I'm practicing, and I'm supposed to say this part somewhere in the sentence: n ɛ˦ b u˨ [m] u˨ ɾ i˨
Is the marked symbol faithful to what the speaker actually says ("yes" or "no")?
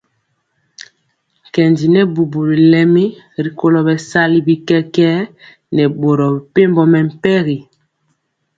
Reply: no